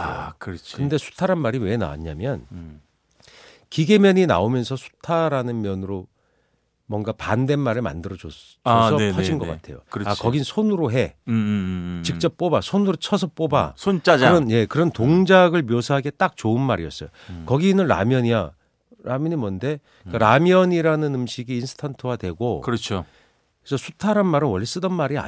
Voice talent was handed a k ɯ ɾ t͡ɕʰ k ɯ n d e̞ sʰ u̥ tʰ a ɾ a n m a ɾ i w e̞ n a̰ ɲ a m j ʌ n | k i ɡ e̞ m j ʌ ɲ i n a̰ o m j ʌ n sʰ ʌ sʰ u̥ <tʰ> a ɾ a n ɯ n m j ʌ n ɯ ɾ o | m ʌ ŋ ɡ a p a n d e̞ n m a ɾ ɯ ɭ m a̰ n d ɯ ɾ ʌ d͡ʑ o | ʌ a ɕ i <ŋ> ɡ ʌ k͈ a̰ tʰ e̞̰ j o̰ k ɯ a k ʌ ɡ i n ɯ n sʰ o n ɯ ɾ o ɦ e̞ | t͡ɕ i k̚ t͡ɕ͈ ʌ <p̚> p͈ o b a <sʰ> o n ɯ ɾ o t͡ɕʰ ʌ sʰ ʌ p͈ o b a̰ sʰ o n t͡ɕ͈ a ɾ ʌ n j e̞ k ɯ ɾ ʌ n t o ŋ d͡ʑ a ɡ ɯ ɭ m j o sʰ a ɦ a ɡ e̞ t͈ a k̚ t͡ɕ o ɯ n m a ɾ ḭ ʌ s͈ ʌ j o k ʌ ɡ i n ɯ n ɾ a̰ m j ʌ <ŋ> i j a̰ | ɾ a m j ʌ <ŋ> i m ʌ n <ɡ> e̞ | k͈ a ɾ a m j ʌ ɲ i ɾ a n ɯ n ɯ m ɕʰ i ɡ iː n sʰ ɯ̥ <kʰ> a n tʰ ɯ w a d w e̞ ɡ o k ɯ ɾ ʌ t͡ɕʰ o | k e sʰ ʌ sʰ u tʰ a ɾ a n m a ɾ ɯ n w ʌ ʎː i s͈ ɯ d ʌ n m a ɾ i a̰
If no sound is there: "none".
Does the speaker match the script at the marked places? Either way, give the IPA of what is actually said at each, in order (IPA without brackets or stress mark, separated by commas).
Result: tʰ, n, p̚, sʰ, ɲ, ɲ, d, tʰ